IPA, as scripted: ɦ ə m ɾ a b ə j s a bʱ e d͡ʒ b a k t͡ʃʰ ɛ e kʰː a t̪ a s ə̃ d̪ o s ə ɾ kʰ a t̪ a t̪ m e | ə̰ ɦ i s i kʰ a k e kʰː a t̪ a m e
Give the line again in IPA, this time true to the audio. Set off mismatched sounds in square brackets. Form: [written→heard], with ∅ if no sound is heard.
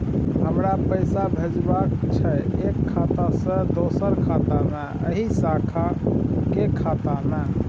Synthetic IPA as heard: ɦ ə m ɾ a [b→p] ə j s a bʱ e d͡ʒ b a k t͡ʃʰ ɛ e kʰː a t̪ a s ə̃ d̪ o s ə ɾ kʰ a t̪ a [t̪→∅] m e | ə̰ ɦ i s [i→a] kʰ a k e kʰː a t̪ a m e